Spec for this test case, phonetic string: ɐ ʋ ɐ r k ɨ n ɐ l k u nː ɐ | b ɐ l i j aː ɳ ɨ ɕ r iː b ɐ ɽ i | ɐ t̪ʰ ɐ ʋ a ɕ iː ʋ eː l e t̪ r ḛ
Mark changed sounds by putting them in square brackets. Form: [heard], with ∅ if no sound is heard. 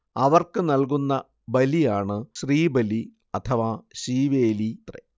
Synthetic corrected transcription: ɐ ʋ ɐ r k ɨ n ɐ l k u nː ɐ | b ɐ l i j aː ɳ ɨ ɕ r iː b ɐ [l] i | ɐ t̪ʰ ɐ ʋ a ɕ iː ʋ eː l [i] t̪ r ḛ